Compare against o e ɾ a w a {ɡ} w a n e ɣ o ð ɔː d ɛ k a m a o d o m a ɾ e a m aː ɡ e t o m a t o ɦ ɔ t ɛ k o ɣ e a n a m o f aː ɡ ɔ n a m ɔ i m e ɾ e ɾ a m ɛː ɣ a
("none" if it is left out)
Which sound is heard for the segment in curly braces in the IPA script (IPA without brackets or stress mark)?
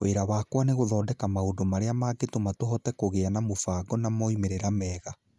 k